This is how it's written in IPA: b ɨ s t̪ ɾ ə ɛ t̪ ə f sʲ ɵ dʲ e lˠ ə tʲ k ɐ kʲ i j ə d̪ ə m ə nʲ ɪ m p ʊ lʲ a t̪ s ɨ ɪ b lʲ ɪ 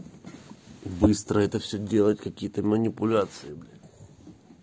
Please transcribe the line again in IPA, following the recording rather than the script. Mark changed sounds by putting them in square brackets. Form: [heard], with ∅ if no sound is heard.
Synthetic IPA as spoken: b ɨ s t̪ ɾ ə ɛ t̪ ə f sʲ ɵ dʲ e lˠ ə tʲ k ɐ kʲ i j ə [t̪] ə m ə nʲ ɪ [∅] p ʊ lʲ a t̪ s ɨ ɪ b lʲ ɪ